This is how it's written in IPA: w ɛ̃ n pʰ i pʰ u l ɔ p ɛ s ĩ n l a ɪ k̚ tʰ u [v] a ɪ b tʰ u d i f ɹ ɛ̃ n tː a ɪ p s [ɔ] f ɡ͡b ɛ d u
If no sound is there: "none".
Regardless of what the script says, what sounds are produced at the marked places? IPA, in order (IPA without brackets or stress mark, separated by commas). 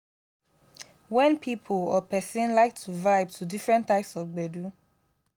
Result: v, ɔ